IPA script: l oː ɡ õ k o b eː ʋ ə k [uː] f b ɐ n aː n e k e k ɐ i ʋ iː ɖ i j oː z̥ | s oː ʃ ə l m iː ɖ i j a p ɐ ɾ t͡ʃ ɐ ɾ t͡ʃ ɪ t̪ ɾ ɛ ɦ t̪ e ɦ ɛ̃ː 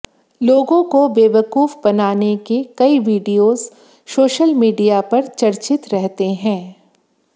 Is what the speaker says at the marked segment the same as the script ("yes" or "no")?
yes